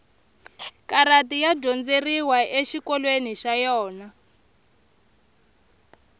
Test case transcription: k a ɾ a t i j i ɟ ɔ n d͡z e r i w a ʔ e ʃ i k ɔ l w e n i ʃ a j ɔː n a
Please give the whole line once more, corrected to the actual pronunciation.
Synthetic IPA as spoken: k a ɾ a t i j a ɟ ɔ n d͡z e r i w a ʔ e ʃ i k ɔ l w e n i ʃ a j ɔː n a